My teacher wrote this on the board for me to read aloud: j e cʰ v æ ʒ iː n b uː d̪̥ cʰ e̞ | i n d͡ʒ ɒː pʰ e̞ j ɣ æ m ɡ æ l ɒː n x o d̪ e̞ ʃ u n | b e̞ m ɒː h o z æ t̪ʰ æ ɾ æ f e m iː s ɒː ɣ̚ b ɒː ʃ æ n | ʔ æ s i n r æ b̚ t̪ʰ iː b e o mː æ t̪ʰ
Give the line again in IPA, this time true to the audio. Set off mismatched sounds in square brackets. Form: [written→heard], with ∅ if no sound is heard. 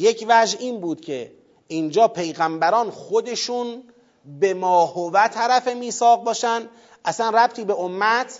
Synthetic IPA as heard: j e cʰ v æ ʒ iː n b uː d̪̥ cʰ e̞ | i n d͡ʒ ɒː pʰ e̞ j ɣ æ m [ɡ→b] æ [l→ɾ] ɒː n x o d̪ e̞ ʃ u n | b e̞ m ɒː h o [z→v] æ t̪ʰ æ ɾ æ f e m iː s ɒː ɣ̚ b ɒː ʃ æ n | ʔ æ s [i→æ] n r æ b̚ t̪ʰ iː b e o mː æ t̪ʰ